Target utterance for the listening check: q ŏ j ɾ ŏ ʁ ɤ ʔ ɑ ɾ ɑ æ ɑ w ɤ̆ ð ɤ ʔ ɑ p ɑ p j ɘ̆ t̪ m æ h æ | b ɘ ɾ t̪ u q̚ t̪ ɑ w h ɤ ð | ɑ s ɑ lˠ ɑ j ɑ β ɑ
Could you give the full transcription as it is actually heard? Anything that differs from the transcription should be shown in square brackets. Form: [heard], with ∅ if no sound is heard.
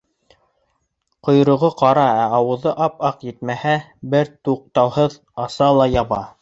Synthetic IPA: q ŏ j ɾ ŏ ʁ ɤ [q] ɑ ɾ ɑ æ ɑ w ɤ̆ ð ɤ ʔ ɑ p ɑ [q] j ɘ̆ t̪ m æ h æ | b ɘ ɾ t̪ u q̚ t̪ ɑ w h ɤ ð | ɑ s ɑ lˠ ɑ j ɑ β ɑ